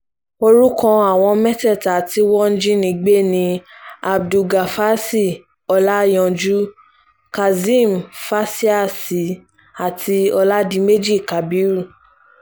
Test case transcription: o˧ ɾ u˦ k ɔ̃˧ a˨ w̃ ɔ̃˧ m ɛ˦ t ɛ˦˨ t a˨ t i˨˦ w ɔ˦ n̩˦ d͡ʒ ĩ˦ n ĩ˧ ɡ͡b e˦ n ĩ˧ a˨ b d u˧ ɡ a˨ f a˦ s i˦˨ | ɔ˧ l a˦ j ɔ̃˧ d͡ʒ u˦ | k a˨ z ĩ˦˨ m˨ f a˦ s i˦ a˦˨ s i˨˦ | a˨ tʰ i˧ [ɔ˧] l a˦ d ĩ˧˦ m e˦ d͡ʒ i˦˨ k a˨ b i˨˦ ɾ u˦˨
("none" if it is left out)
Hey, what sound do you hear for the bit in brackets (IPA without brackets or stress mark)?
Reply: ɔ˧